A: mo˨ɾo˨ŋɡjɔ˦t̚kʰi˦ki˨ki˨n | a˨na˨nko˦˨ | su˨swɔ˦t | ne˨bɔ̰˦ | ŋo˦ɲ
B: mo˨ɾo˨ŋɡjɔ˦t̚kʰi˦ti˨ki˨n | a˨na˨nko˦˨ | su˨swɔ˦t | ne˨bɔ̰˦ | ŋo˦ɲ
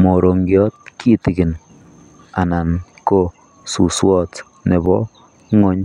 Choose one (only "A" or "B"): B